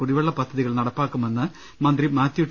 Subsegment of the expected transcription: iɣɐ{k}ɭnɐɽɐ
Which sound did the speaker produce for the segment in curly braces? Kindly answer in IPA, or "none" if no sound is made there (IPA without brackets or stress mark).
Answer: none